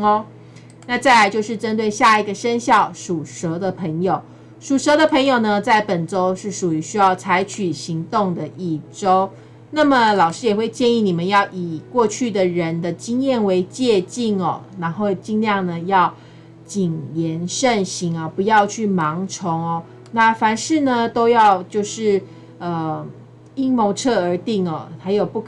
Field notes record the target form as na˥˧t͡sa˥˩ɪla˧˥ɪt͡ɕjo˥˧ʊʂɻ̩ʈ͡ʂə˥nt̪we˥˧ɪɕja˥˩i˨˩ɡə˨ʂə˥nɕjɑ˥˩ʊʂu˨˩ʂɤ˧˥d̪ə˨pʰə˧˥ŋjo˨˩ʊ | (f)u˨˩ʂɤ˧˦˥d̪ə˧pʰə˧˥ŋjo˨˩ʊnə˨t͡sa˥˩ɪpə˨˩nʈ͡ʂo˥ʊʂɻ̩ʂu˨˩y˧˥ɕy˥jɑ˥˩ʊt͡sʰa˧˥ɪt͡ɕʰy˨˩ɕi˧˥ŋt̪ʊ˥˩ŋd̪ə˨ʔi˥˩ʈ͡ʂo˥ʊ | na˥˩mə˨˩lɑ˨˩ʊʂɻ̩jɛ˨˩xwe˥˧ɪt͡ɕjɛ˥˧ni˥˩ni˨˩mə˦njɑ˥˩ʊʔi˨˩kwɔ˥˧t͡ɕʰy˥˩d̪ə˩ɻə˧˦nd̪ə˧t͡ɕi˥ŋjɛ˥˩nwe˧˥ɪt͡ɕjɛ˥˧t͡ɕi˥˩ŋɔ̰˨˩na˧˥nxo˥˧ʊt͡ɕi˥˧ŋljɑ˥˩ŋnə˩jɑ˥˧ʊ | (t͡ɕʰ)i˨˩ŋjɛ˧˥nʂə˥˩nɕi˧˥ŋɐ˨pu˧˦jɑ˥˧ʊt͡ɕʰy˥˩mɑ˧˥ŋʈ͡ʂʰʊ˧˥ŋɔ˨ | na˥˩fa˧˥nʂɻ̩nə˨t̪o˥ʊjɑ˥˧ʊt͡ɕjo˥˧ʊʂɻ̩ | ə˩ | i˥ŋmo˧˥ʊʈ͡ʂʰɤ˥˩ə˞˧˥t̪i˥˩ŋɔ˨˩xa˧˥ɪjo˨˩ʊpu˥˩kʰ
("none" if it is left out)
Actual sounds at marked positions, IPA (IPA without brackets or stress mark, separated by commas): ʂ, t͡ɕ